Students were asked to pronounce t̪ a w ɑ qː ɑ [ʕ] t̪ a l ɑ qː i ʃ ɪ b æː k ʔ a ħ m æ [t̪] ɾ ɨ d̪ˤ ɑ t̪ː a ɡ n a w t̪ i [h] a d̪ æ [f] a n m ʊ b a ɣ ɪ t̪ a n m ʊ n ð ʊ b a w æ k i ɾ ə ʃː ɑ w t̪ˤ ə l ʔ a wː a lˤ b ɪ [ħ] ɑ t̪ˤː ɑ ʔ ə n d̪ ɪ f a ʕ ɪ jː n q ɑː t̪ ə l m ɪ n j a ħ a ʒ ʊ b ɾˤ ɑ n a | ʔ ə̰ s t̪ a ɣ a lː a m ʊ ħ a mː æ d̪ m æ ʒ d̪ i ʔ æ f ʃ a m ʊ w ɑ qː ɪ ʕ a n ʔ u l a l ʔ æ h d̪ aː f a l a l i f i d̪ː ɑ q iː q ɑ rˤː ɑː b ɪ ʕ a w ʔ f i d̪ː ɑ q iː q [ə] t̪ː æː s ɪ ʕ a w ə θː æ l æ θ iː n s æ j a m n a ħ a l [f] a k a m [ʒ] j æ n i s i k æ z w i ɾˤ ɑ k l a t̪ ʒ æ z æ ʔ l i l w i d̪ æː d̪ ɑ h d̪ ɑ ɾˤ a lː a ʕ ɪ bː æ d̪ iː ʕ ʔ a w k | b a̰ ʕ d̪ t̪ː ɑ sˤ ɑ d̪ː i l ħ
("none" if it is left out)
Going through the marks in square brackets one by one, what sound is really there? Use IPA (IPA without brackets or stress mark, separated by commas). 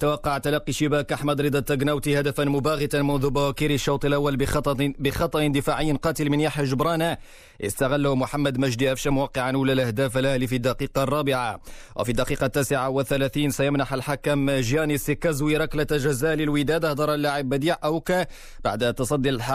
ʕ, d̪, h, f, x, ɑ, ħ, ʒ